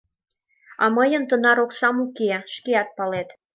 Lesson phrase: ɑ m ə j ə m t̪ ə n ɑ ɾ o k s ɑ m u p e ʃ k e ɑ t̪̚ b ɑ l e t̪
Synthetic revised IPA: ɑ m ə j ə n t̪ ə n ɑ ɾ o k s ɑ m u k e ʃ k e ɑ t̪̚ p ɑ l e t̪